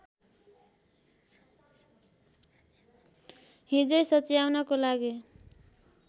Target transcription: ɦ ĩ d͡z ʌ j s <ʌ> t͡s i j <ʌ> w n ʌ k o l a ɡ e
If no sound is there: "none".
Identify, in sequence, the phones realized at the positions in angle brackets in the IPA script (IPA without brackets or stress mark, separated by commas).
ʌ, a